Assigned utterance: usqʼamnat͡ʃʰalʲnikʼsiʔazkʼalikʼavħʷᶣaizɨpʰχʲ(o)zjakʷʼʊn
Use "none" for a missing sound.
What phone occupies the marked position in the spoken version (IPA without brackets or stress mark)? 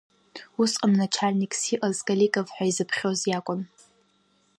o